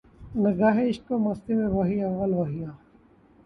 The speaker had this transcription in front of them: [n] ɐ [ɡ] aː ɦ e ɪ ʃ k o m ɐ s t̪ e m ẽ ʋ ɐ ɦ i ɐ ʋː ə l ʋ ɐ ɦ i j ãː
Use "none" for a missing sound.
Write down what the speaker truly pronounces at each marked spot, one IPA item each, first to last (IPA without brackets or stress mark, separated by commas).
n, ɡ